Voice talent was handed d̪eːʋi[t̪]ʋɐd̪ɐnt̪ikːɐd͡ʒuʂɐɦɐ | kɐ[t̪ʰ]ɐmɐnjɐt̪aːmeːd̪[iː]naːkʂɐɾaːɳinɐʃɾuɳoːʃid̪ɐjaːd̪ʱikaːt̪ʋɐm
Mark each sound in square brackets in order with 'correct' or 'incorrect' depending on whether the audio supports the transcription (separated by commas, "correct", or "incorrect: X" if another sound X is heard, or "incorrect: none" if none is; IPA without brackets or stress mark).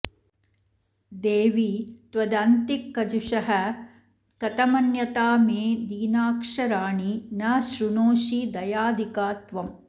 correct, incorrect: t̪, correct